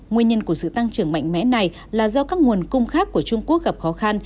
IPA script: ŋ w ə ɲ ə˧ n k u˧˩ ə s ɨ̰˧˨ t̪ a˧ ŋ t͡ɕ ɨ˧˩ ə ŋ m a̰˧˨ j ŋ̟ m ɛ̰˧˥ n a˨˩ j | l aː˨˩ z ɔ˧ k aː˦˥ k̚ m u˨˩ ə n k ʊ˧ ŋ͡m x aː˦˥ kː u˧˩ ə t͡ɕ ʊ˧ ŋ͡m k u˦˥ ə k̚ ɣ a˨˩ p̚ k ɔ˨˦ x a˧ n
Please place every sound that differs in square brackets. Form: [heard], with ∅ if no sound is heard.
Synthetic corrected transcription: ŋ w ə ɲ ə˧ n k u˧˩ ə s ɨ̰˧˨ t̪ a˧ ŋ t͡ɕ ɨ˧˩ ə ŋ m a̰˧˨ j ŋ̟ m ɛ̰˧˥ n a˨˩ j | l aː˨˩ z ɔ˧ k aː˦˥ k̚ [ŋ] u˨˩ ə n k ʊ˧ ŋ͡m x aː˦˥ kː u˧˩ ə t͡ɕ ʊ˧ ŋ͡m k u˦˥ ə k̚ ɣ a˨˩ p̚ [x] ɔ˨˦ x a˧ n